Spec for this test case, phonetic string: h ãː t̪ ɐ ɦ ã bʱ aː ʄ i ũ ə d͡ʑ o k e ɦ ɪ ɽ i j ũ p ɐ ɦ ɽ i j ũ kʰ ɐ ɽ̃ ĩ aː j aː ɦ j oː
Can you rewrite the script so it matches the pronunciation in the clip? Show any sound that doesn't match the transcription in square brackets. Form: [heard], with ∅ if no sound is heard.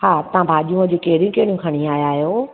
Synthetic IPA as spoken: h [aː] t̪ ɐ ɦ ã bʱ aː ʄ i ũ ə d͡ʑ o k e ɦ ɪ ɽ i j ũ [k] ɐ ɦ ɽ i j ũ kʰ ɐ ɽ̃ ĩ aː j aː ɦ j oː